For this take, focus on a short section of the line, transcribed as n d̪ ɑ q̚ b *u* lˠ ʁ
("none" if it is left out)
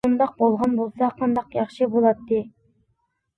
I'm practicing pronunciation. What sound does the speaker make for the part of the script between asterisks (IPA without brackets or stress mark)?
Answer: o